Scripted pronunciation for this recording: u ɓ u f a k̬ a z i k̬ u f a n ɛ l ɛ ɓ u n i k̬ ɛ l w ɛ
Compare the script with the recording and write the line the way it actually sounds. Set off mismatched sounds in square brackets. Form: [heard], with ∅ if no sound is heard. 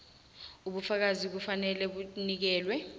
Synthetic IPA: u ɓ u f a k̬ a z i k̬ u f a n ɛ l ɛ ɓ u n i k̬ [ɛː] l w ɛ